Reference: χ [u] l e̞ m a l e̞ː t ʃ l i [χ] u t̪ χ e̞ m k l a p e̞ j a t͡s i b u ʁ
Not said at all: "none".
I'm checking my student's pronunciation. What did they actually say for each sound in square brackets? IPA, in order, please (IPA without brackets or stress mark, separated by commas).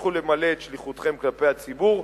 u, χ